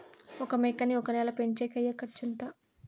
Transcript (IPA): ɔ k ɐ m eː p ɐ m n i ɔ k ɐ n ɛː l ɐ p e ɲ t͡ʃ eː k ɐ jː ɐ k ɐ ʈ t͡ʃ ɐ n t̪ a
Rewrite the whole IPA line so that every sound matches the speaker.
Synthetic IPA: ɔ k ɐ m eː k ɐ n i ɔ k ɐ n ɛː l ɐ p e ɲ t͡ʃ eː k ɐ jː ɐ k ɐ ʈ t͡ʃ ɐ n t̪ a